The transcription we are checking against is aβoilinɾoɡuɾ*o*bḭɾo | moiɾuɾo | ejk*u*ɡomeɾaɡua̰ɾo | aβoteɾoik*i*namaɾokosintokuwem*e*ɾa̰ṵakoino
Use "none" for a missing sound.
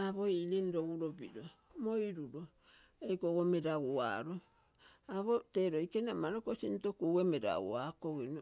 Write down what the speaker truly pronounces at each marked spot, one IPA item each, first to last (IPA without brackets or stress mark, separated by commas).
o, o, e, e